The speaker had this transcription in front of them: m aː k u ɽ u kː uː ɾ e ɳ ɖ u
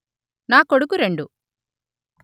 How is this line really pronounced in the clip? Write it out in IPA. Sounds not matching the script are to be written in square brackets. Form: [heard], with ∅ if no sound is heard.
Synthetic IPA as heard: [n] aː k [o] ɽ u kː [u] ɾ e ɳ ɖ u

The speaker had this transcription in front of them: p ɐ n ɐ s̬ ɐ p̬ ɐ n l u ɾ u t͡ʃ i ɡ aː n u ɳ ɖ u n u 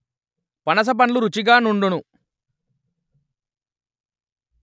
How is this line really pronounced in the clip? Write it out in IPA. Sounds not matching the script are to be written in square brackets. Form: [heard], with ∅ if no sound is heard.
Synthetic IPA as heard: p ɐ n ɐ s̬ ɐ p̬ ɐ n l u ɾ u t͡ʃ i ɡ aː n u ɳ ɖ u n u

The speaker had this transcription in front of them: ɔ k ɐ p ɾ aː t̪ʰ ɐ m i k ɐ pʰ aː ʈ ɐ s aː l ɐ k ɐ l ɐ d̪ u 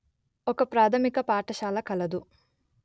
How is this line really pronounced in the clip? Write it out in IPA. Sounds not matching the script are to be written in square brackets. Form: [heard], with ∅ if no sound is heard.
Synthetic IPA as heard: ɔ k ɐ p ɾ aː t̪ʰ ɐ m i k ɐ [p] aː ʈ ɐ [ʃ] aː l ɐ k ɐ l ɐ d̪ u

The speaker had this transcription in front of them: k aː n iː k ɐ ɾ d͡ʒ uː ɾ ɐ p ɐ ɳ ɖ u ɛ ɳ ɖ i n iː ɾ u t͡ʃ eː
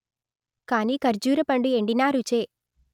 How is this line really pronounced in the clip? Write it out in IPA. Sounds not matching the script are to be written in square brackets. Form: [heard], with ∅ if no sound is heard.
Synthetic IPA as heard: k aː n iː k ɐ ɾ d͡ʒ uː ɾ ɐ p ɐ ɳ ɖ u [e] ɳ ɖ i n [aː] ɾ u t͡ʃ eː

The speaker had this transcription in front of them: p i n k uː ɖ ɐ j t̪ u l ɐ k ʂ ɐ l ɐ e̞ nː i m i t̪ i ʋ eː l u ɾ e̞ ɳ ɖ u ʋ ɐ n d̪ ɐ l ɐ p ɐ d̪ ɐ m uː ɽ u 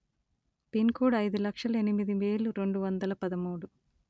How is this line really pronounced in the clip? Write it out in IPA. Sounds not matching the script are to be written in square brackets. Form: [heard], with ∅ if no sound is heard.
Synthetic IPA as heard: p i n k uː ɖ ɐ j [d̪] u l ɐ k ʂ ɐ l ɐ e̞ [n] i m i [d̪] i ʋ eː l u ɾ e̞ ɳ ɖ u ʋ ɐ n d̪ ɐ l ɐ p ɐ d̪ ɐ m uː ɽ u

